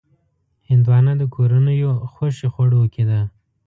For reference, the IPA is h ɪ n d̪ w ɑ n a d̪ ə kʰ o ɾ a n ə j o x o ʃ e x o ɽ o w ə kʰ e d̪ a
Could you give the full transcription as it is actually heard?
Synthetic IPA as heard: h ɪ n d̪ w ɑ n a d̪ ə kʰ o ɾ a n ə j o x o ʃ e x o ɽ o w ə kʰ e d̪ a